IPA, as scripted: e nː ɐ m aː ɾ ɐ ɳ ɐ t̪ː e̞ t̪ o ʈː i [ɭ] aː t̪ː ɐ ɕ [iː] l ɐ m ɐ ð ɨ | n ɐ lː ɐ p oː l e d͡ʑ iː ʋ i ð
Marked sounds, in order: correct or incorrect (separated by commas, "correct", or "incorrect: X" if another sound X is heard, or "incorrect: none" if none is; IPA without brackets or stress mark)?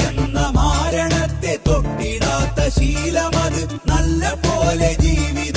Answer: incorrect: ɽ, correct